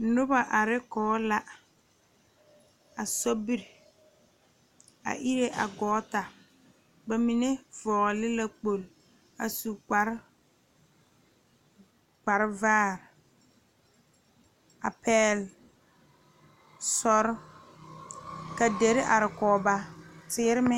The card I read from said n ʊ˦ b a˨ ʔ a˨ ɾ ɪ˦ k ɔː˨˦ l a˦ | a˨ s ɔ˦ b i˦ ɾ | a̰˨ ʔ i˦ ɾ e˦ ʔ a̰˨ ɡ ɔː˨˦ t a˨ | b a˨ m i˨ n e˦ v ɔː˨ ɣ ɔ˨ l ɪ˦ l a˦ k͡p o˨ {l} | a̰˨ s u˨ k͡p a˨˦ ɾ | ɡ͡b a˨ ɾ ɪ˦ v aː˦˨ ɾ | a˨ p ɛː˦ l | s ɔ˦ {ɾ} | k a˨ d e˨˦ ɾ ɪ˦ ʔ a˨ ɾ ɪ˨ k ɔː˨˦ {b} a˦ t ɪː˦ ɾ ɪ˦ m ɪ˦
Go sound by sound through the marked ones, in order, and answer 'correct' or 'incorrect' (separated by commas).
correct, correct, correct